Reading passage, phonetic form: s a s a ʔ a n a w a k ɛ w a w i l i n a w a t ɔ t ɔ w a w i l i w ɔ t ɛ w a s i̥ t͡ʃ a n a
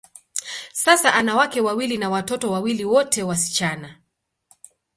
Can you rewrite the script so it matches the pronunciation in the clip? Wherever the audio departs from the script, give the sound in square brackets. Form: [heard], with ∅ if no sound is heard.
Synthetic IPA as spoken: s a s a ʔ a n a w a k ɛ w a w i l i n a w a t ɔ t ɔ w a w i l i w ɔ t ɛ w a s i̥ t͡ʃ a n a